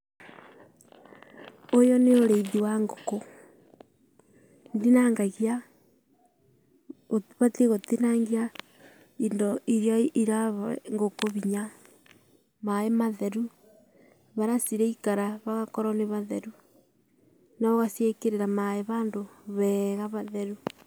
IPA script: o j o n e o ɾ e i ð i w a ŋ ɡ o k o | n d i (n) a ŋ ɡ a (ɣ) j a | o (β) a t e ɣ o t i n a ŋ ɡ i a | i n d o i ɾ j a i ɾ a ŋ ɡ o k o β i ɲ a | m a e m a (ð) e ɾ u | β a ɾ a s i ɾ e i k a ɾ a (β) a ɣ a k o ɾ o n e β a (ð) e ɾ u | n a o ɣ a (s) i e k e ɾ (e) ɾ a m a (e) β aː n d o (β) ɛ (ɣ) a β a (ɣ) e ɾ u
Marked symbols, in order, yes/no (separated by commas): yes, yes, yes, yes, yes, yes, yes, yes, yes, yes, yes, no